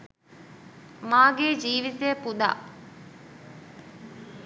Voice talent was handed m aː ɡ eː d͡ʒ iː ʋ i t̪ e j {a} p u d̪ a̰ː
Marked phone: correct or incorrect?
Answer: incorrect